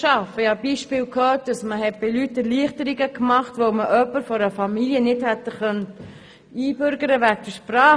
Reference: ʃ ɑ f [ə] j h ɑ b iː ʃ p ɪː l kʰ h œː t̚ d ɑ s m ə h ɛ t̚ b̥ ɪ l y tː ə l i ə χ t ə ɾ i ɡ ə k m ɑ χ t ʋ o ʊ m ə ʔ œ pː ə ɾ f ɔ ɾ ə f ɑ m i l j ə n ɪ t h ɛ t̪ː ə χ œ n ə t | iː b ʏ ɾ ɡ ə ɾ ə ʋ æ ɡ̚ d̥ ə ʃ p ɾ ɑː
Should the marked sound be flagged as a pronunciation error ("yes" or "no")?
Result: no